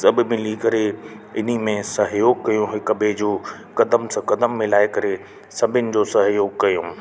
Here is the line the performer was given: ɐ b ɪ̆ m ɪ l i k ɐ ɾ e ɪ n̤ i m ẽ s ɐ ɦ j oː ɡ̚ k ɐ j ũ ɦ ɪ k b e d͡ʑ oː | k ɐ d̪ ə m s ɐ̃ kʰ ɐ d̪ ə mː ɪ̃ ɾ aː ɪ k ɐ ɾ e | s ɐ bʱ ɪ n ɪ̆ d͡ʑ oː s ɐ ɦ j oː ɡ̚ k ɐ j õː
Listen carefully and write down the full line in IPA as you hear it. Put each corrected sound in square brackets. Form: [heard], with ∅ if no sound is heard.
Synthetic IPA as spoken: ɐ b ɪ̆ m ɪ l i k ɐ ɾ e ɪ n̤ i m ẽ s ɐ ɦ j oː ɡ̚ k ɐ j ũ ɦ ɪ k b e d͡ʑ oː | k ɐ d̪ ə m s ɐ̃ [k] ɐ d̪ ə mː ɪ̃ [l] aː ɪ k ɐ ɾ e | s ɐ bʱ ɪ n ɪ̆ d͡ʑ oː s ɐ ɦ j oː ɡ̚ k ɐ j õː